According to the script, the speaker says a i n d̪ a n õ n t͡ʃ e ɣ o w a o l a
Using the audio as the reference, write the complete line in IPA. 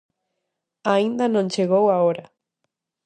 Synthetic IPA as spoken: a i n d̪ a n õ n t͡ʃ e ɣ o w a o ɾ a